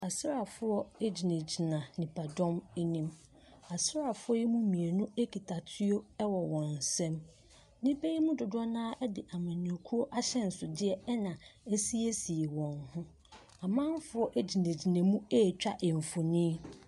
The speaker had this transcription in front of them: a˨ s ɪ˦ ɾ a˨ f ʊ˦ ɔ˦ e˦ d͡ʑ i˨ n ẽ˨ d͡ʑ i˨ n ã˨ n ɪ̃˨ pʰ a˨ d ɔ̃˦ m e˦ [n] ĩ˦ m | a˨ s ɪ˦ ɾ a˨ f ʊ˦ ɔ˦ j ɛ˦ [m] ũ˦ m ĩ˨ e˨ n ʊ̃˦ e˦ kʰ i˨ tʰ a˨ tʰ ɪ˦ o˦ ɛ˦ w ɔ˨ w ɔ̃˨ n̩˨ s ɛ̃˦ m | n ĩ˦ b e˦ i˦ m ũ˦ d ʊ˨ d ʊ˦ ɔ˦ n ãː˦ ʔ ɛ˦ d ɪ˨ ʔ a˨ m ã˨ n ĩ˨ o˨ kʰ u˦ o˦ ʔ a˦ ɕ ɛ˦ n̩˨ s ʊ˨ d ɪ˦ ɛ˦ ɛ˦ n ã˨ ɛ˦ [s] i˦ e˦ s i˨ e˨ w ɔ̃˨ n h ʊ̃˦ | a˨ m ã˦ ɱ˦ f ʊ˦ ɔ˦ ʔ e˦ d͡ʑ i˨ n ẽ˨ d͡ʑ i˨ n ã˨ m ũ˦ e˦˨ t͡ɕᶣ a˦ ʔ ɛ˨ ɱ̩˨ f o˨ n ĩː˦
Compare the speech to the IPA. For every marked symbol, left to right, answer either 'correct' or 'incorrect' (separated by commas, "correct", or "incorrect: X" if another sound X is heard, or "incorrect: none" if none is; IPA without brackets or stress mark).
correct, correct, correct